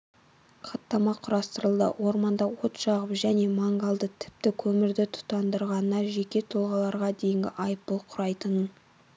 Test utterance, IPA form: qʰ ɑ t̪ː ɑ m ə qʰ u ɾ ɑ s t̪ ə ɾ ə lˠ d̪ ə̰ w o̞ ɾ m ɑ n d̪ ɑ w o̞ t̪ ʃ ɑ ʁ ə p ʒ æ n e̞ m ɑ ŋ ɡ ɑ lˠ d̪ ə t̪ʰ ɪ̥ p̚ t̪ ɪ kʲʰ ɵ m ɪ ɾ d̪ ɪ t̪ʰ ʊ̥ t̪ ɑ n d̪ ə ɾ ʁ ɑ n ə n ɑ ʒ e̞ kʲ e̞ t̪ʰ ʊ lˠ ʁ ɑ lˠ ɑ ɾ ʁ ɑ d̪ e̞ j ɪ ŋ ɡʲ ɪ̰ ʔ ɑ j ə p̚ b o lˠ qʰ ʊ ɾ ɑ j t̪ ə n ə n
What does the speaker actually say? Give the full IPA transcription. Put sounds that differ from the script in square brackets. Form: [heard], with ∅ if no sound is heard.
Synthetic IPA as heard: qʰ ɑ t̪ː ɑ m [ɑ] qʰ [ʊ] ɾ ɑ s t̪ ə ɾ ə lˠ d̪ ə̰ w o̞ ɾ m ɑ n d̪ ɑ w o̞ t̪ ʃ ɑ ʁ ə p ʒ æ n e̞ m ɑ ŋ ɡ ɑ lˠ d̪ ə t̪ʰ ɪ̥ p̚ t̪ ɪ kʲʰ ɵ m ɪ ɾ d̪ ɪ t̪ʰ ʊ̥ t̪ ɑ n d̪ ə ɾ ʁ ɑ n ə n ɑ ʒ e̞ kʲ e̞ t̪ʰ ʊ lˠ ʁ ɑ lˠ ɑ ɾ ʁ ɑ d̪ e̞ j ɪ ŋ ɡʲ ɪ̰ ʔ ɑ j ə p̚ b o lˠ qʰ ʊ ɾ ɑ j t̪ ə n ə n